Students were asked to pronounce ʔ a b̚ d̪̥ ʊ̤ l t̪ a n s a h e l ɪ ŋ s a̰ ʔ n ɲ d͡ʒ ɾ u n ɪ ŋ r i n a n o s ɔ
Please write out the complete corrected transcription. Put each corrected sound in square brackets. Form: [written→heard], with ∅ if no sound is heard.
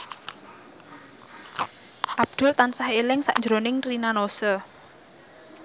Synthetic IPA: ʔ a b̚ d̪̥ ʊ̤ l t̪ a n s a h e l ɪ ŋ s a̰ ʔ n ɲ d͡ʒ ɾ [u→o] n ɪ ŋ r i n a n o s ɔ